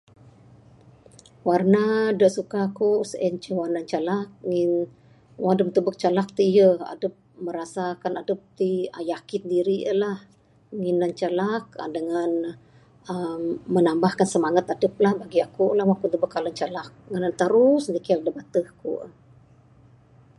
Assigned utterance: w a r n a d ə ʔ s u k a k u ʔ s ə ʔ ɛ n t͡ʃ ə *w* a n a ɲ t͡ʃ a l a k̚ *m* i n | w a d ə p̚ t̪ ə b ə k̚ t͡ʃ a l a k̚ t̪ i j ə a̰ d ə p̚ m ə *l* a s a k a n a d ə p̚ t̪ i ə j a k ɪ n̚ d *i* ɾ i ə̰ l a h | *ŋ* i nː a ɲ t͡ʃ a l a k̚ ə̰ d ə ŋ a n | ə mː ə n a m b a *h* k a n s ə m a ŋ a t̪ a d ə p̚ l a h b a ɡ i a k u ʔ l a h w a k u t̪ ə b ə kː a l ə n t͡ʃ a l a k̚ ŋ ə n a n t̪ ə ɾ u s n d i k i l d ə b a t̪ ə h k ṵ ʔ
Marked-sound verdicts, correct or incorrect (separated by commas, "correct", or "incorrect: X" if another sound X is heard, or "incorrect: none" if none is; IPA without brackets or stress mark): correct, incorrect: ŋ, incorrect: ɾ, correct, correct, correct